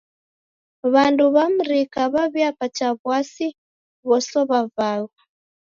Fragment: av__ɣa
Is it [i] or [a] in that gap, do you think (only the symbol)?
a